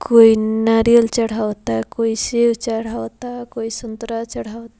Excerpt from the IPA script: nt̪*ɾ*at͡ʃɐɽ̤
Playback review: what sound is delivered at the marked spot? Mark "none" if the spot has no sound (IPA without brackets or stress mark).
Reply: ɾ